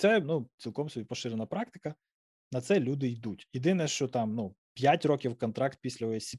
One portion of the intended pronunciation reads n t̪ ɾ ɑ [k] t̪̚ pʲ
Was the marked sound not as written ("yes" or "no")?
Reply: no